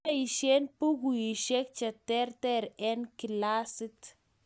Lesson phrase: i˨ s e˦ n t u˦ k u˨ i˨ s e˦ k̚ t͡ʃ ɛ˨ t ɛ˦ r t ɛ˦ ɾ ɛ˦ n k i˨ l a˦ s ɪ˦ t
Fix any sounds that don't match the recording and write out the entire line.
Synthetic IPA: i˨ ʃ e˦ n p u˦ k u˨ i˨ ʃ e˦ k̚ t͡ʃ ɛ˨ t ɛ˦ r t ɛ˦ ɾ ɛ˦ n k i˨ l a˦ s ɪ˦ t